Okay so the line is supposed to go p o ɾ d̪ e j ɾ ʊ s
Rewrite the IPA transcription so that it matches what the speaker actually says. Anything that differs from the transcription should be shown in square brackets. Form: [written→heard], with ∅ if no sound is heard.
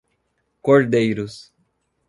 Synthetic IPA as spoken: [p→k] o ɾ d̪ e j ɾ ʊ s